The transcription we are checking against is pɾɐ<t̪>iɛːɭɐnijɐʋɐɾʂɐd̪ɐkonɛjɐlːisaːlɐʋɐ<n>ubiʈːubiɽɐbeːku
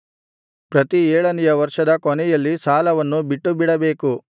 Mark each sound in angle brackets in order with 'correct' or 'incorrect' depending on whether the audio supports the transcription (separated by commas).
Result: correct, incorrect